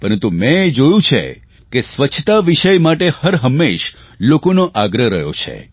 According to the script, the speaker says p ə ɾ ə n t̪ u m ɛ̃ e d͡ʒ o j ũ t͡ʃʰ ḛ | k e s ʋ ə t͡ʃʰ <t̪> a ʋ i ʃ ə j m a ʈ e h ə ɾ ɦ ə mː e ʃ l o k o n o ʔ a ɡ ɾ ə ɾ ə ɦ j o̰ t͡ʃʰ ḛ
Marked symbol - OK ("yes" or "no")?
yes